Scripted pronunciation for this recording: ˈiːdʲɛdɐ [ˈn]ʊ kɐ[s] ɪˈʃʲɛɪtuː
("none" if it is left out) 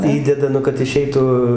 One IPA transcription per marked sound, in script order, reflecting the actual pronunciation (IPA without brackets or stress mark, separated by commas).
n, t